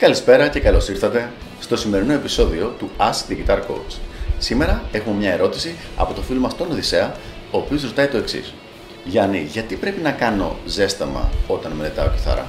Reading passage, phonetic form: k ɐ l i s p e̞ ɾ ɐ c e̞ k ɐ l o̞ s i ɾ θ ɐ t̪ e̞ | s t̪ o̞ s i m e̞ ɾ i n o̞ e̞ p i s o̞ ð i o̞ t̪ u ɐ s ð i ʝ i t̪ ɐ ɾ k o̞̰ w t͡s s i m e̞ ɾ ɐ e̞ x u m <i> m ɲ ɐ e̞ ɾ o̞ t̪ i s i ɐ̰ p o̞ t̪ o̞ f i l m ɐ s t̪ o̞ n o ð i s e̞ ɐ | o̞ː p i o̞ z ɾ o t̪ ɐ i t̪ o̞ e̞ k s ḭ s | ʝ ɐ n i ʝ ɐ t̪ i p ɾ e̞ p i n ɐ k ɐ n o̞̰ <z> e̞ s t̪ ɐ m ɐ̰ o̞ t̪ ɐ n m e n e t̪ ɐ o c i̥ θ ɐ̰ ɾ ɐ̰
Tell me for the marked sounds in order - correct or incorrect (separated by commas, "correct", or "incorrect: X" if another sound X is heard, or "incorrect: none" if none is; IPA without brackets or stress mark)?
incorrect: e, correct